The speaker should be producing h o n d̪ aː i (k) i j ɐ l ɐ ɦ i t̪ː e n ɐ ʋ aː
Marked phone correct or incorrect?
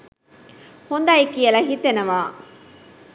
correct